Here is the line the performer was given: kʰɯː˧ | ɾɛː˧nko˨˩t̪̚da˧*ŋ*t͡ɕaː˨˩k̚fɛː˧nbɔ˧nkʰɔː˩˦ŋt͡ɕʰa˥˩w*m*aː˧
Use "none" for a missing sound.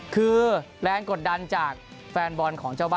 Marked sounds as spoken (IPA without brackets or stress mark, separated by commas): n, b